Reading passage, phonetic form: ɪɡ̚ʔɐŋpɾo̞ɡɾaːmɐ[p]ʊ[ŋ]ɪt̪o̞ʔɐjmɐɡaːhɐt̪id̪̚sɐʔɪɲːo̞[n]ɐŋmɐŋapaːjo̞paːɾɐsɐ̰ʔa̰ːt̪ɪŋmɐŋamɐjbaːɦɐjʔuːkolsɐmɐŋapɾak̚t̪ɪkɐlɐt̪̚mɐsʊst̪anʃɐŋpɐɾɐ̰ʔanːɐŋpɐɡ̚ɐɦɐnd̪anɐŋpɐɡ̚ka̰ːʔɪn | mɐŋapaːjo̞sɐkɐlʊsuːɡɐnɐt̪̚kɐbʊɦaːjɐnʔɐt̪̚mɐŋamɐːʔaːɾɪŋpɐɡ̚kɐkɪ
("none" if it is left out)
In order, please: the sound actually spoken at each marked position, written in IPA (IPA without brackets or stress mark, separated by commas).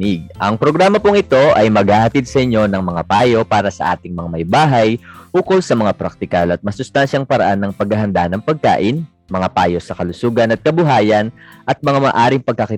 p, ŋ, n